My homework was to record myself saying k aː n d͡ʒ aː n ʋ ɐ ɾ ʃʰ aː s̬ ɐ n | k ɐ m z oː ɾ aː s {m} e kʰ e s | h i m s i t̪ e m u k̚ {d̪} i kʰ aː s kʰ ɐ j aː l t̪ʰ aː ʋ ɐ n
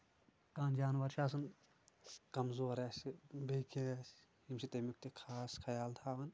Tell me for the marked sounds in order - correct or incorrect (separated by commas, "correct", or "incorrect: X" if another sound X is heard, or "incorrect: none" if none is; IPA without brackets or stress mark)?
incorrect: b, incorrect: t̪